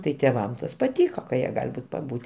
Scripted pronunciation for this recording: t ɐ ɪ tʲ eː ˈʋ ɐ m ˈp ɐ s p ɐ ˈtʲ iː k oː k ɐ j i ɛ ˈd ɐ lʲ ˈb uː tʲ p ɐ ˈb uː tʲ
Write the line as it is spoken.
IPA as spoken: t ɐ ɪ tʲ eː ˈʋ ɐ m ˈt ɐ s p ɐ ˈtʲ iː k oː k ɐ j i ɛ ˈɡ ɐ lʲ ˈb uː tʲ p ɐ ˈb uː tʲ